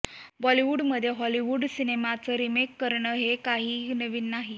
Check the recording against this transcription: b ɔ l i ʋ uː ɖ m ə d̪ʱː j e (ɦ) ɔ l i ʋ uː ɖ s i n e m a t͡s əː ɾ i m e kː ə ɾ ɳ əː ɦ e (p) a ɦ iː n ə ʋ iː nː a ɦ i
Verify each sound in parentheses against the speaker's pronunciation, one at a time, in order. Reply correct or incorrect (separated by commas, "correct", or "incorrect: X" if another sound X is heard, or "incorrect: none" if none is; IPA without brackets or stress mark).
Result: correct, incorrect: k